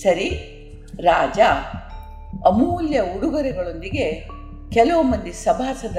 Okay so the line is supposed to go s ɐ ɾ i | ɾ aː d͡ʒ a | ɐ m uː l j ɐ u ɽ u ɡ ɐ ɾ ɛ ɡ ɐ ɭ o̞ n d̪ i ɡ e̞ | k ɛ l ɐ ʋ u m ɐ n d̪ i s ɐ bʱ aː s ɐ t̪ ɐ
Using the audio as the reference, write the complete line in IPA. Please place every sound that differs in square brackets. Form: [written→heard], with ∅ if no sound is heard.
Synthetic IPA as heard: s ɐ ɾ i | ɾ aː d͡ʒ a | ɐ m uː l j ɐ u ɽ u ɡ ɐ ɾ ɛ ɡ ɐ ɭ o̞ n d̪ i ɡ e̞ | k ɛ l ɐ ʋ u m ɐ n d̪ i s ɐ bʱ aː s ɐ [t̪→d̪] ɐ